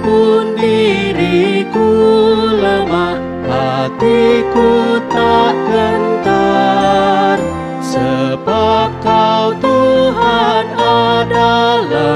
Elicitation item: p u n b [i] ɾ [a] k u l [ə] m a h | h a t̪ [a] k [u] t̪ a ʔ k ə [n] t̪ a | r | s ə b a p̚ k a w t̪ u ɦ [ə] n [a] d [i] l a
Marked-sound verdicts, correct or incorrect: correct, incorrect: i, correct, incorrect: i, correct, correct, incorrect: a, correct, incorrect: a

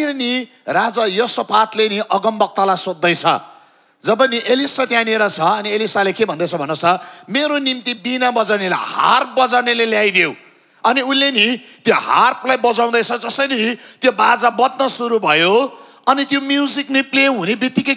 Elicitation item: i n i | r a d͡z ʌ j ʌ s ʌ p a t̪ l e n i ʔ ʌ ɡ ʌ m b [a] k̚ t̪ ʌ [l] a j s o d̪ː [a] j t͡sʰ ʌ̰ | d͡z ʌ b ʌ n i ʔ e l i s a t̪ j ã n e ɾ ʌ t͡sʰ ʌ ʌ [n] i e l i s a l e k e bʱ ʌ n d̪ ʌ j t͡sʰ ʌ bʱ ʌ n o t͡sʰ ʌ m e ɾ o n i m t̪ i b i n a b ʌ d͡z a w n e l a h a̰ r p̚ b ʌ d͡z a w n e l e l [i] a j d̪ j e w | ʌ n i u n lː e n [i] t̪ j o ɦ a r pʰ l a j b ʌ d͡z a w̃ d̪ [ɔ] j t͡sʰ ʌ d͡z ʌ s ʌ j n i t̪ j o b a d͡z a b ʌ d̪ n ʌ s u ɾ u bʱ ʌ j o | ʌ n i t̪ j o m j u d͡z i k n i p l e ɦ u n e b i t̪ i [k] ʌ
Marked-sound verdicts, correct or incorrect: incorrect: ʌ, correct, incorrect: ʌ, correct, incorrect: j, correct, incorrect: ʌ, correct

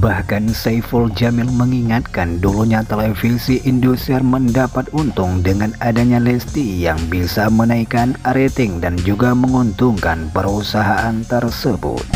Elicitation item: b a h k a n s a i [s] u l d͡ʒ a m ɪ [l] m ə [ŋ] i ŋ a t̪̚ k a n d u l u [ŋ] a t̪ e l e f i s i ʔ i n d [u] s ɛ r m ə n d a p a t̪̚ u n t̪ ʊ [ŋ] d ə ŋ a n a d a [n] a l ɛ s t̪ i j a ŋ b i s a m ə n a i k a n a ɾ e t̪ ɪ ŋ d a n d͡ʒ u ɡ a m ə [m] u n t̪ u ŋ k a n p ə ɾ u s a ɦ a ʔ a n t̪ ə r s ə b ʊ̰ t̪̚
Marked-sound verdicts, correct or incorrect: incorrect: f, correct, correct, incorrect: ɲ, correct, correct, incorrect: ɲ, incorrect: ŋ

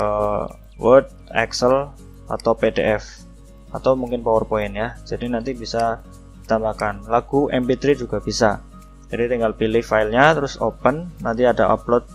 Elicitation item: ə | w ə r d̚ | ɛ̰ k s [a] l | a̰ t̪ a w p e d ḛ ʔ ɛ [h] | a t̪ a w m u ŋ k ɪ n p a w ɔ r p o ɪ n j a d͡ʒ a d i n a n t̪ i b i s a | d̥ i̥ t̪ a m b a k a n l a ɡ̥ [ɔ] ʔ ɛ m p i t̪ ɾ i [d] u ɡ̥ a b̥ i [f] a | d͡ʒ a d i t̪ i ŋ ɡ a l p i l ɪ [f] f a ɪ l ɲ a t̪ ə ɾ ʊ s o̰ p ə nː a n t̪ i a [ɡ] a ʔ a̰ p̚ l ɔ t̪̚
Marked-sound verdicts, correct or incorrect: incorrect: ə, incorrect: f, incorrect: u, incorrect: d͡ʒ, incorrect: s, incorrect: h, incorrect: d

